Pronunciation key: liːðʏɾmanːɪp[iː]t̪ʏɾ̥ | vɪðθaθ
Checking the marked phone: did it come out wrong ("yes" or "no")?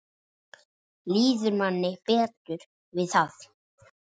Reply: yes